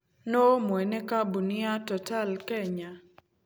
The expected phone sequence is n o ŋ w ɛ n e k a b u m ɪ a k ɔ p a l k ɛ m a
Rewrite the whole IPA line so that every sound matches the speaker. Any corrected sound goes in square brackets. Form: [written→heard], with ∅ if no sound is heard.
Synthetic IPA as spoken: n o [ŋ→m] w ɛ n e k a b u [m→n] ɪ a [k→t] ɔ [p→t] a l k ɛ [m→ɲ] a

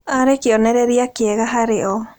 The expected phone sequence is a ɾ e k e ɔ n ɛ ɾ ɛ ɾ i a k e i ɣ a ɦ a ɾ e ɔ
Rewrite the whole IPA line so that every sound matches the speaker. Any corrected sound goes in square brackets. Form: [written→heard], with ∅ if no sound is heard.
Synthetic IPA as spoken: a ɾ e k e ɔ n ɛ ɾ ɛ ɾ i a k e [i→ɛ] ɣ a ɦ a ɾ e ɔ

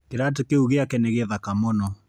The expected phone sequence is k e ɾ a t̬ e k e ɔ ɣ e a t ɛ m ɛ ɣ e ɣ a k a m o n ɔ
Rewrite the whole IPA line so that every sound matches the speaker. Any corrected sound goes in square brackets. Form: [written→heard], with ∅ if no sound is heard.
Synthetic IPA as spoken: k e ɾ a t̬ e k e [ɔ→u] ɣ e a [t→k] ɛ [m→n] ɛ ɣ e [ɣ→ð] a k a m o n ɔ

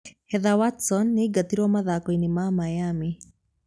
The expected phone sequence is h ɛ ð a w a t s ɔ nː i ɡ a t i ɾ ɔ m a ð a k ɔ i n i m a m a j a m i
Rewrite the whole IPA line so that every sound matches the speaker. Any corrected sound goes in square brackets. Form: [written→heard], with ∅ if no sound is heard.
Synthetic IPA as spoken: h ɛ ð a w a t s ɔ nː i ɡ a t i ɾ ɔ m a ð a k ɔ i n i m a m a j a m i

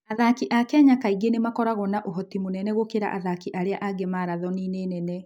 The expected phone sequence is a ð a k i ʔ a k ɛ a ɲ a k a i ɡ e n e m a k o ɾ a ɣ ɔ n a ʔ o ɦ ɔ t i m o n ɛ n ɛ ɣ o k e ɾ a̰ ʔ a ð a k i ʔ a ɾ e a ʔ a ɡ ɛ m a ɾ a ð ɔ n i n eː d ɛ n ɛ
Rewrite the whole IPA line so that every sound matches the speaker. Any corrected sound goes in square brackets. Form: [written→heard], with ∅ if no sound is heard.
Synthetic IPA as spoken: a ð a k i ʔ a k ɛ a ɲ a k a i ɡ e n e m a k [o→ɔ] ɾ a ɣ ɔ n a ʔ o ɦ ɔ t i m o n ɛ n ɛ ɣ o k e ɾ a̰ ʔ a ð a k i ʔ a ɾ e a ʔ a ɡ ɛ m a ɾ a ð ɔ n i n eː [d→n] ɛ n ɛ

